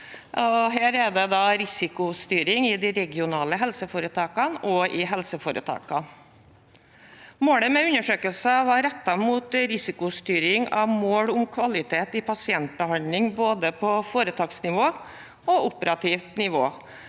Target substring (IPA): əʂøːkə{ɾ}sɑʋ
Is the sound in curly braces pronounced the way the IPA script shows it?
no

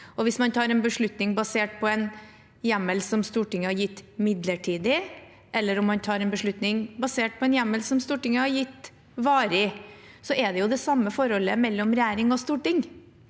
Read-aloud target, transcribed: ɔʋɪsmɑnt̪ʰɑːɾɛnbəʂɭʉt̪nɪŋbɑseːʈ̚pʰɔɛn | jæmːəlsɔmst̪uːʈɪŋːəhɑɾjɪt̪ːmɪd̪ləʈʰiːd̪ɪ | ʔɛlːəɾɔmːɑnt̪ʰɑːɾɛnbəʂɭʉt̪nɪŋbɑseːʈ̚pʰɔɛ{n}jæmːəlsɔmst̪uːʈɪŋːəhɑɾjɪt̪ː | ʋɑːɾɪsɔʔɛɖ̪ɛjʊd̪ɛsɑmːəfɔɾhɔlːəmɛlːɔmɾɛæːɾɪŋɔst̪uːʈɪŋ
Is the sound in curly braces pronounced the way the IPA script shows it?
yes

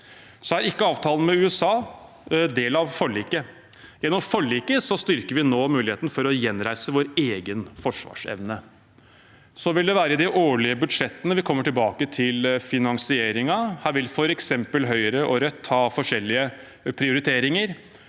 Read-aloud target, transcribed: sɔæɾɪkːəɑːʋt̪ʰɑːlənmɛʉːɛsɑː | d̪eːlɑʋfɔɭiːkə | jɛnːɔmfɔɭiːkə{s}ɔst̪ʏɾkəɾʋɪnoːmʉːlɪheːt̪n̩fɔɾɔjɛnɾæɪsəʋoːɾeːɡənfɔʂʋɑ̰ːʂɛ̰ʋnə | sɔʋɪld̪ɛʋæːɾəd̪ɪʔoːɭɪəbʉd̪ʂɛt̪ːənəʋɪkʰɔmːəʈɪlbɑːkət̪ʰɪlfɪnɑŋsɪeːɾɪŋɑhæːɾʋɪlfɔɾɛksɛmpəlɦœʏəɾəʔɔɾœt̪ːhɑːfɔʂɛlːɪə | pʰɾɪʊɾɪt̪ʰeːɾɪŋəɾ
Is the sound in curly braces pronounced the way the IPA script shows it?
yes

